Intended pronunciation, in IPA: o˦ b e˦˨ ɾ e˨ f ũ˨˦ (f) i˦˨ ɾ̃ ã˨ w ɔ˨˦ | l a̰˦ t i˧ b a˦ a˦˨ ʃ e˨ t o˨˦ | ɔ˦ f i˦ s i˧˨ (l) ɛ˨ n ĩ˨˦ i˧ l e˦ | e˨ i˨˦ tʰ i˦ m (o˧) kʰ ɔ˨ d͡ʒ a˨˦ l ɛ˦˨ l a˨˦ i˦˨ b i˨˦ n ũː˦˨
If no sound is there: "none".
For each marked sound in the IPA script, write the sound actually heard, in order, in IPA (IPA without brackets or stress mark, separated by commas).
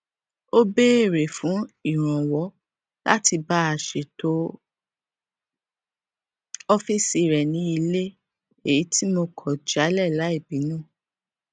none, ɾ, o˧